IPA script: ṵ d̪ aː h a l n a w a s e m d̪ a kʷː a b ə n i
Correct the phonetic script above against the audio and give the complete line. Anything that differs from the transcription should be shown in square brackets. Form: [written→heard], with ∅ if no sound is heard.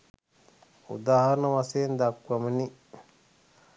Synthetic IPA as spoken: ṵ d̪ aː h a [l→ɾ] n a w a s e [m→n] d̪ a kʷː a [b→m] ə n i